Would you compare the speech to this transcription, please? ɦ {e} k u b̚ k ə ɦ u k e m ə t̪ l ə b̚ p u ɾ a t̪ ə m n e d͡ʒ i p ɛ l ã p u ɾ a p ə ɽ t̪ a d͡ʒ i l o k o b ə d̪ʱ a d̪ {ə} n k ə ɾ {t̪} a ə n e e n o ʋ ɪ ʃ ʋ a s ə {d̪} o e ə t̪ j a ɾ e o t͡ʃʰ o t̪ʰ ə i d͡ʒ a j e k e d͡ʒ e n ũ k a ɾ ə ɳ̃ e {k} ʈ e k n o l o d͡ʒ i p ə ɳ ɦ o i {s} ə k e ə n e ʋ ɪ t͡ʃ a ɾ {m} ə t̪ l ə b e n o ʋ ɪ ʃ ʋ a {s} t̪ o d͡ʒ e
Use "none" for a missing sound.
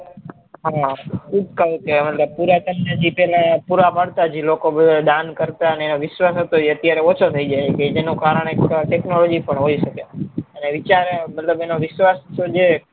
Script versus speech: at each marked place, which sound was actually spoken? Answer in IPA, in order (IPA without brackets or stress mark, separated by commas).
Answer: a, a, t̪, t̪, k, ʃ, m, s